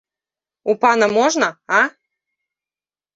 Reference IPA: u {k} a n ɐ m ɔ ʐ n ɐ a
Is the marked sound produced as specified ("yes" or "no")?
no